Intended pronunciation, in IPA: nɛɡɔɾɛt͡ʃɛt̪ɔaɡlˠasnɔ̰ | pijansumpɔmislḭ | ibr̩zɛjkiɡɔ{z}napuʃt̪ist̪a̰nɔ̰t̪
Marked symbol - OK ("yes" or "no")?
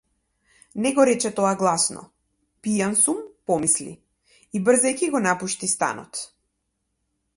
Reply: no